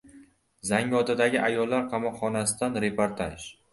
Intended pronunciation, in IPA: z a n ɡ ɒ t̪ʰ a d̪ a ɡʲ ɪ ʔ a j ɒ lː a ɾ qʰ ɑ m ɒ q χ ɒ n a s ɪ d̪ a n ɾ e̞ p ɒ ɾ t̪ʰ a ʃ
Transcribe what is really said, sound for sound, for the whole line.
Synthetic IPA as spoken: z a ŋ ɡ ɒ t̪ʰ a d̪ a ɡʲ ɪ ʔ a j ɒ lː a ɾ qʰ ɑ m ɒ q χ ɒ n a s ɪ d̪ a n ɾ e̞ p o ɾ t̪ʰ a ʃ